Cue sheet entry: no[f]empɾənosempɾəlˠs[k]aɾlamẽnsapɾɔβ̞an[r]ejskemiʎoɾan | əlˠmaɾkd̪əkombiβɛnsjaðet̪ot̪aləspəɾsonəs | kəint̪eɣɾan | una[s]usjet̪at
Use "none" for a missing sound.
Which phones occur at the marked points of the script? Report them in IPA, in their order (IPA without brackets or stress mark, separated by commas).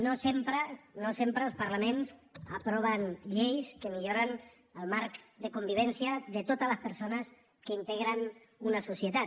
s, p, ʎ, s